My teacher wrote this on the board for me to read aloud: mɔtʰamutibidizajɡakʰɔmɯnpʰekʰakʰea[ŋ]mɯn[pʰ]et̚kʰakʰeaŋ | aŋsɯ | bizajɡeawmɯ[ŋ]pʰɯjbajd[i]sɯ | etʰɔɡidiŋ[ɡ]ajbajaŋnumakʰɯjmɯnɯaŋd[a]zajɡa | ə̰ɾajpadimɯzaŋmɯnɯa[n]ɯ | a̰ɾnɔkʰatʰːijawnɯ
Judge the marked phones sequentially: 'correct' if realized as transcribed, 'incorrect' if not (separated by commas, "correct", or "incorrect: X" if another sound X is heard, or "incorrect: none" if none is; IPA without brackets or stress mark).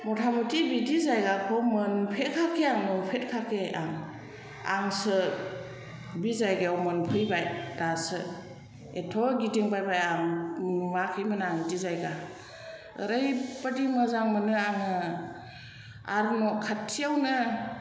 correct, correct, incorrect: n, incorrect: a, incorrect: b, incorrect: i, incorrect: ŋ